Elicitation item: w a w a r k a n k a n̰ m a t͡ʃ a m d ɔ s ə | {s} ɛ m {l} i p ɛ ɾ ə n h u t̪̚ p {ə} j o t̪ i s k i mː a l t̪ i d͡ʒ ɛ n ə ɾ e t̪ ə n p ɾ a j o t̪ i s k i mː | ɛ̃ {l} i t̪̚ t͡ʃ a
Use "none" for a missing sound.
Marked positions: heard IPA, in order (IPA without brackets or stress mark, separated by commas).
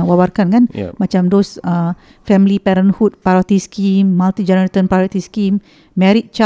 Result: f, l, a, ɾ